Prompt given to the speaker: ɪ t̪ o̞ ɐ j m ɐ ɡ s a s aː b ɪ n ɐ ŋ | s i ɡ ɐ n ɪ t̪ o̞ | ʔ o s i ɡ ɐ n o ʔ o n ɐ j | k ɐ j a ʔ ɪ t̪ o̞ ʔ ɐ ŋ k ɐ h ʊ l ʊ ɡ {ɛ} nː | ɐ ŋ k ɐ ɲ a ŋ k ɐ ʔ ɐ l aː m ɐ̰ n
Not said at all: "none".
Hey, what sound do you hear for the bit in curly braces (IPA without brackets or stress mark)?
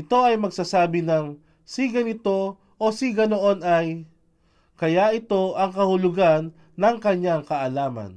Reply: a